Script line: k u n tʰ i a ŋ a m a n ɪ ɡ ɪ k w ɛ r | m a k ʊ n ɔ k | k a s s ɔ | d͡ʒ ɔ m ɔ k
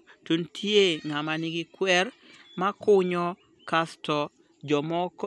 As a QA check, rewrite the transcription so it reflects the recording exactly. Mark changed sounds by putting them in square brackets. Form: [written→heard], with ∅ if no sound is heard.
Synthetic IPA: [k→t] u n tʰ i [a→e] ŋ a m a n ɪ ɡ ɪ k w ɛ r | m a k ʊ [n→ɲ] ɔ [k→∅] | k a s [s→t] ɔ | d͡ʒ ɔ m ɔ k